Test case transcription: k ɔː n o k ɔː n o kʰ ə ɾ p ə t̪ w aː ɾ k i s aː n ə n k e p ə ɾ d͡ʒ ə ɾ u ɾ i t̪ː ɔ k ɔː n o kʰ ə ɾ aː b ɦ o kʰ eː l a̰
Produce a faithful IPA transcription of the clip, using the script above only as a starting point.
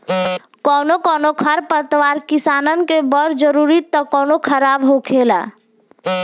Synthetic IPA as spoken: k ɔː n o k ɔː n o kʰ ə ɾ p ə t̪ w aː ɾ k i s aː n ə n k e b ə ɾ d͡ʒ ə ɾ u ɾ i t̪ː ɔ k ɔː n o kʰ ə ɾ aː b ɦ o kʰ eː l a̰